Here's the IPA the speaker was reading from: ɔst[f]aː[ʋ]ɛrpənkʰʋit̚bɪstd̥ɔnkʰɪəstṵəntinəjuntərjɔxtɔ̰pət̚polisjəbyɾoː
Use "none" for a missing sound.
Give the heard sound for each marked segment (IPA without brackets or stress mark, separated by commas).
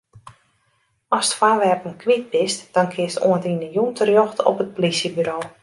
f, ʋ